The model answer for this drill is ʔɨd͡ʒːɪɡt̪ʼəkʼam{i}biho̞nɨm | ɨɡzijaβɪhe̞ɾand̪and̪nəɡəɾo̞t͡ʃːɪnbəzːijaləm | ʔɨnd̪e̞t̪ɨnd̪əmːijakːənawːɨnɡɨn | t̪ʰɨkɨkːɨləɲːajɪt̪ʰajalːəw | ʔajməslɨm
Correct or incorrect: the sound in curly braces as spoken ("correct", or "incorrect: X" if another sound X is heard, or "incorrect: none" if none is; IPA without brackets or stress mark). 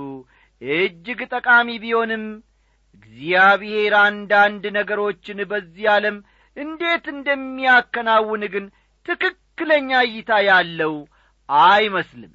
correct